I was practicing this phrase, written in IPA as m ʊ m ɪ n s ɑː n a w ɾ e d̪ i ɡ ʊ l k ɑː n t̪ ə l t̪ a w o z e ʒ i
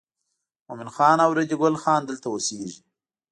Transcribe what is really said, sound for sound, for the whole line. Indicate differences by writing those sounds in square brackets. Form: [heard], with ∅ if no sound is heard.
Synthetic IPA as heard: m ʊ m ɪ n [x] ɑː n a w ɾ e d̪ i ɡ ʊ l [x] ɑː n [d̪] ə l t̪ a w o [s] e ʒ i